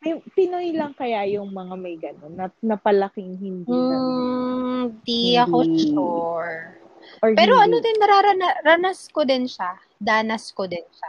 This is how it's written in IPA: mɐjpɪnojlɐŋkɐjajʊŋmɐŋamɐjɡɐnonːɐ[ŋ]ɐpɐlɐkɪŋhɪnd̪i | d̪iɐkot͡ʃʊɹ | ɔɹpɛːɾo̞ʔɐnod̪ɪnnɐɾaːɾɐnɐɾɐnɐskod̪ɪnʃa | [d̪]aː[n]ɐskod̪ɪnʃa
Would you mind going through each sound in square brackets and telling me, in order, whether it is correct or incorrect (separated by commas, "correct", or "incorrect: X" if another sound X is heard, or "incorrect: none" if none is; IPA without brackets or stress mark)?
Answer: incorrect: n, correct, correct